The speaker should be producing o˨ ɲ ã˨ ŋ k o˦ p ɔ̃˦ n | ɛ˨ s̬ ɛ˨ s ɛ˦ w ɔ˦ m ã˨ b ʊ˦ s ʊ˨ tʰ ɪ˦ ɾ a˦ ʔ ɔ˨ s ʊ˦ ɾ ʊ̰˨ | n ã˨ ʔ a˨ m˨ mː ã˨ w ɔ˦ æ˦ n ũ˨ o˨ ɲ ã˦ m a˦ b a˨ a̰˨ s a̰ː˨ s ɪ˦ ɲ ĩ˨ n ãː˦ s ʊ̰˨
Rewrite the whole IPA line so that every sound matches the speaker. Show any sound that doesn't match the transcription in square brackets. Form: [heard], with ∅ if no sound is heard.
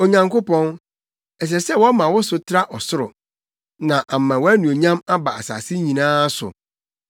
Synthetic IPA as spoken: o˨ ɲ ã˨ ŋ k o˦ p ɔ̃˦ n | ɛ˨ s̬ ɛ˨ s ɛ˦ w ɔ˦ m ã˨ [w] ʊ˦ s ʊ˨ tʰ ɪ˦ ɾ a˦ ʔ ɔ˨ s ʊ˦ ɾ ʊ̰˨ | n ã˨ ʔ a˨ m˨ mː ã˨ w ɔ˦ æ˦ n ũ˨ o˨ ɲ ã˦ m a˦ b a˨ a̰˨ s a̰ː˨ s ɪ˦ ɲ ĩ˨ n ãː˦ s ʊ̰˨

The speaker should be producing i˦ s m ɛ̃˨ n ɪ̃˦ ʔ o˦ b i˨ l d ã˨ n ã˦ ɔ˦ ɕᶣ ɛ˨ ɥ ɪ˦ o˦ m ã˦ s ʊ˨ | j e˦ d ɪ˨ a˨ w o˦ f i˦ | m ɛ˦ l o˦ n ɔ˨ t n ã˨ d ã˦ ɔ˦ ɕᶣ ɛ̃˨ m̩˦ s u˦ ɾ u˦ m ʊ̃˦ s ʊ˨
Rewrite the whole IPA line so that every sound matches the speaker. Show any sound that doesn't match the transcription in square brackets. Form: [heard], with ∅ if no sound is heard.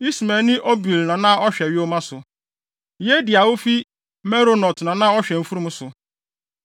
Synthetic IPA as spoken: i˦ s m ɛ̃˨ n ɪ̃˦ ʔ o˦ b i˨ l [n] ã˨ n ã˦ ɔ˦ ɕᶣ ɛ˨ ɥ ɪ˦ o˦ m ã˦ s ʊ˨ | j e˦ d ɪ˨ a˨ w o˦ f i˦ | m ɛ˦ [ɾ] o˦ n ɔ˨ t n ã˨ [n] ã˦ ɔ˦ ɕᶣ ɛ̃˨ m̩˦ [f] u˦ ɾ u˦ m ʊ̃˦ s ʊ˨

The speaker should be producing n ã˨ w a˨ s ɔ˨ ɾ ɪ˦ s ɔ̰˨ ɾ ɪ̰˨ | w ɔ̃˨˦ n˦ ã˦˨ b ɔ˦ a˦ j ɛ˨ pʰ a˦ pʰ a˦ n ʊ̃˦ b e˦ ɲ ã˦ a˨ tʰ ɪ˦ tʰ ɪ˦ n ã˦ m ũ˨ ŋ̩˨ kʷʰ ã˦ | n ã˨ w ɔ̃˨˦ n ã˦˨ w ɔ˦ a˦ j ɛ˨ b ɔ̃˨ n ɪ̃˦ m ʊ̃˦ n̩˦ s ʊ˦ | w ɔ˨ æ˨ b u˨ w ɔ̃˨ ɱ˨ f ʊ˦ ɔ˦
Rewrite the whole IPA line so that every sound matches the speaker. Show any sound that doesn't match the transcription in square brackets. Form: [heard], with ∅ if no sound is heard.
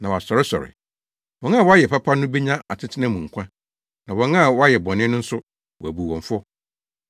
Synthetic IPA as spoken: n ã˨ w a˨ s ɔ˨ ɾ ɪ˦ s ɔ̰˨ ɾ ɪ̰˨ | w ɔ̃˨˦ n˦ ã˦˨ [w] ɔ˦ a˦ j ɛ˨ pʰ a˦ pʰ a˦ n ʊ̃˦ b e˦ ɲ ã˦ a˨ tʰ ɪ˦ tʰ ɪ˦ n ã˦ m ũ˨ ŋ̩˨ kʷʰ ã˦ | n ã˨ w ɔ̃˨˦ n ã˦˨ w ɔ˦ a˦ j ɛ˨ b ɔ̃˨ n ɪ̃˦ [n] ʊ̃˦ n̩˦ s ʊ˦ | w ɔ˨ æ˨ b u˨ w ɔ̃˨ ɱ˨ f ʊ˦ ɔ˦

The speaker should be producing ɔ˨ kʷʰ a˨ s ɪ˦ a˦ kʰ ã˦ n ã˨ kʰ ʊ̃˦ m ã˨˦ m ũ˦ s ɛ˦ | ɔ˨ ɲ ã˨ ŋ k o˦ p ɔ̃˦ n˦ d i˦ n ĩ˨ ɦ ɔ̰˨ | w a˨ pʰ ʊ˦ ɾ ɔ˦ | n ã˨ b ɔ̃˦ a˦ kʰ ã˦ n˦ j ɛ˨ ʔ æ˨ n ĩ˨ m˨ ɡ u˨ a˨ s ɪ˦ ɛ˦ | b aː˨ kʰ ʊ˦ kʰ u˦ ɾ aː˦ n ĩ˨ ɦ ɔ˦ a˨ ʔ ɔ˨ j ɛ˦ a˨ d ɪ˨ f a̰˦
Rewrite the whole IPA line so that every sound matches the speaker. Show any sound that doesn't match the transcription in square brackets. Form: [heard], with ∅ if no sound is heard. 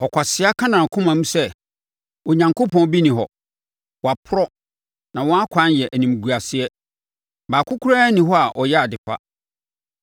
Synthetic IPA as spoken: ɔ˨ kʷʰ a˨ s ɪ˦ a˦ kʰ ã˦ n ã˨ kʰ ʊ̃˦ m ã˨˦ m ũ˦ s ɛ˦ | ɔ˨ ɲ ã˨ ŋ k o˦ p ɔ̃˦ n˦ [b] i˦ n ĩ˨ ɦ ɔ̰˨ | w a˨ pʰ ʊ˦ ɾ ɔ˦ | n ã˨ [w] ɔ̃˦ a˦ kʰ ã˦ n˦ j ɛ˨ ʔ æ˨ n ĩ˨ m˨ ɡ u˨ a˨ s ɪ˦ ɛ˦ | b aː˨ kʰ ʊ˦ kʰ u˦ ɾ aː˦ n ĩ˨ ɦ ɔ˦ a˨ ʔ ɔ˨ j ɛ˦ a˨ d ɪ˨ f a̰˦

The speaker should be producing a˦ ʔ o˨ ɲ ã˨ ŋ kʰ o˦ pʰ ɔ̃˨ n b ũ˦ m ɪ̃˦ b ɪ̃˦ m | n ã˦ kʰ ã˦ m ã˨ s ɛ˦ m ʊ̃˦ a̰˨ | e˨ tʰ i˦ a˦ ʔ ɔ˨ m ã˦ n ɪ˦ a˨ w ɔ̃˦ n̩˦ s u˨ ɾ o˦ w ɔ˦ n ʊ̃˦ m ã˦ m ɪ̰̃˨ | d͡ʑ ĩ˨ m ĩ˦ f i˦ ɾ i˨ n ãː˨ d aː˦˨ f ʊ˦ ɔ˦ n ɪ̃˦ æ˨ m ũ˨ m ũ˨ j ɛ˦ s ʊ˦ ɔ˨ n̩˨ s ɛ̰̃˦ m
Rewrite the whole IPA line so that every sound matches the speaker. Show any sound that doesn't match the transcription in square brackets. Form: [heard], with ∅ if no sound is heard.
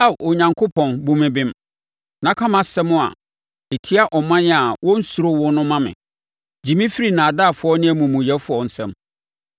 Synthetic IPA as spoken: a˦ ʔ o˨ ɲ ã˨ ŋ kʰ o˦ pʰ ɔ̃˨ n b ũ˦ m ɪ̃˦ b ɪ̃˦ m | n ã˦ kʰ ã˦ m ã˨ s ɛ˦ m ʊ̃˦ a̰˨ | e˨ tʰ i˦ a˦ ʔ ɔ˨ m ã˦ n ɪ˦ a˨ w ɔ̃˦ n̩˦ s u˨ ɾ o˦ w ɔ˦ n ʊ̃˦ m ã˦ m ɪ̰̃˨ | d͡ʑ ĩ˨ m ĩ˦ f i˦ ɾ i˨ n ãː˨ d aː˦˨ f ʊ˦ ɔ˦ n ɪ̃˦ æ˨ m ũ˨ m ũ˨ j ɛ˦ [f] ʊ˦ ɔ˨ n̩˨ s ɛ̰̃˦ m

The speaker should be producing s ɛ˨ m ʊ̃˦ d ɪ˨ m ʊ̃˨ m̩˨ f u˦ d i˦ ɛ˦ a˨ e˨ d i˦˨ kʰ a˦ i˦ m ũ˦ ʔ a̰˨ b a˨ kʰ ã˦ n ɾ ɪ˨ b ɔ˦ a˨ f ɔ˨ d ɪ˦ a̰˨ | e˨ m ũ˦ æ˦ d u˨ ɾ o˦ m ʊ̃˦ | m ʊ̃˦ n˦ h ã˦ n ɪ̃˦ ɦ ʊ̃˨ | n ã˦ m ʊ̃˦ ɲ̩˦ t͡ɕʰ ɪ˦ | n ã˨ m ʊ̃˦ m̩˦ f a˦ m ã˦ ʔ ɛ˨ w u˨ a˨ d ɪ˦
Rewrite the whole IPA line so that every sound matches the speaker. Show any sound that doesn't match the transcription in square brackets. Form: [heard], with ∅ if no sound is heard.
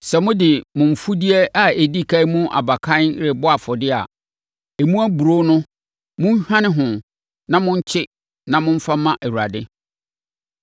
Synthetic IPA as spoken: s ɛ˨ m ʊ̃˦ d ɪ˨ m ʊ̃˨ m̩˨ f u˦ d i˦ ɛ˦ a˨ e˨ d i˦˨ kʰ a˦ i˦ m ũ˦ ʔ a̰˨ b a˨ kʰ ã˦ n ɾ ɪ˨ b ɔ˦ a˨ f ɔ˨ d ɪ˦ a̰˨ | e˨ m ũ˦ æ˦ [b] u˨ ɾ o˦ [n] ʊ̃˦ | m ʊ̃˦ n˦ h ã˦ n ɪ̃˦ ɦ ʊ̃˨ | n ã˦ m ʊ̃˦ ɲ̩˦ t͡ɕʰ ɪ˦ | n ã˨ m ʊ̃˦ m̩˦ f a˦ m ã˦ ʔ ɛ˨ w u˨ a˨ d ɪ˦

